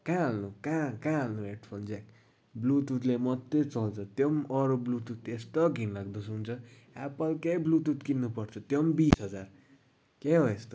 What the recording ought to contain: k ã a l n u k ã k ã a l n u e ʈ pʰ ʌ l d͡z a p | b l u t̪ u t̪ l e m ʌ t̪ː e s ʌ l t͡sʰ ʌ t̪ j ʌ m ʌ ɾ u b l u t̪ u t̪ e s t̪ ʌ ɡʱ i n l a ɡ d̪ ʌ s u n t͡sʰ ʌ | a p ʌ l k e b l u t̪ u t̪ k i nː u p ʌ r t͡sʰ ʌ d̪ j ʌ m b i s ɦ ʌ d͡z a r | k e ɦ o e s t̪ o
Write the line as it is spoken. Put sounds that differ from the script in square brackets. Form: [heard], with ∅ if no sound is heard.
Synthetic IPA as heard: k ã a l n u k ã k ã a l n u e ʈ pʰ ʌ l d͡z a [k] | b l u t̪ u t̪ l e m ʌ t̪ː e [t͡s] ʌ l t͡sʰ ʌ t̪ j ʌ m ʌ ɾ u b l u t̪ u t̪ e s t̪ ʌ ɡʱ i n l a ɡ d̪ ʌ s u n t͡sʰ ʌ | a p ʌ l k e b l u t̪ u t̪ k i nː u p ʌ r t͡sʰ ʌ [t̪] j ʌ m b i s ɦ ʌ d͡z a r | k e ɦ o e s t̪ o

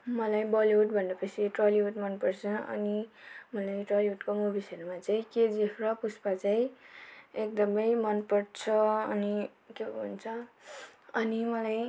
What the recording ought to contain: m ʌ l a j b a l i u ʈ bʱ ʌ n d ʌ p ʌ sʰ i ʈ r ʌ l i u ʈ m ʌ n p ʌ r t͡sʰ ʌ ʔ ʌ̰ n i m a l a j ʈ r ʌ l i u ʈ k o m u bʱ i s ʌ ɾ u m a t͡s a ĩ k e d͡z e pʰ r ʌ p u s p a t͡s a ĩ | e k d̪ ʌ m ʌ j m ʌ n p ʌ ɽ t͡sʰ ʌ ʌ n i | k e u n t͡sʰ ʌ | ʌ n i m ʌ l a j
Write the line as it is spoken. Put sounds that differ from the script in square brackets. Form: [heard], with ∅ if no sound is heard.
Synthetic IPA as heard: m ʌ l a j b [ʌ] l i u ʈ bʱ ʌ n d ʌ p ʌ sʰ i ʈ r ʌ l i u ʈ m ʌ n p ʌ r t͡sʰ ʌ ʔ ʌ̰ n i m [ʌ] l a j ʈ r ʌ l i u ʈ k o m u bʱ i s ʌ ɾ u m a t͡s a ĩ k e d͡z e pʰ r ʌ p u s p a t͡s a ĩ | e k d̪ ʌ m ʌ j m ʌ n p ʌ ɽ t͡sʰ ʌ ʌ n i | k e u n t͡sʰ ʌ | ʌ n i m ʌ l a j

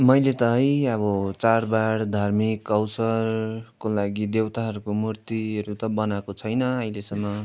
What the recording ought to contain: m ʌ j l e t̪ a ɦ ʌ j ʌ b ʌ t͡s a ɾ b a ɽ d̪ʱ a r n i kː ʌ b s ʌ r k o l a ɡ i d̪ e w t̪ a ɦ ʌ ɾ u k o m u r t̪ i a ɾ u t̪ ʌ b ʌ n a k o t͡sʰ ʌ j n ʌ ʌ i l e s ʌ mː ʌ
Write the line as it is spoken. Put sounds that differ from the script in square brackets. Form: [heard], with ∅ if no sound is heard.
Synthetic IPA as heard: m ʌ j l e t̪ [ʌ] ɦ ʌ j ʌ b ʌ t͡s a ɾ b a ɽ d̪ʱ a r [m] i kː ʌ [w] s ʌ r k o l a ɡ i d̪ e w t̪ a ɦ ʌ ɾ u k o m u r t̪ i [ʌ] ɾ u t̪ ʌ b ʌ n a k o t͡sʰ ʌ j n ʌ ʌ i l e s ʌ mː ʌ

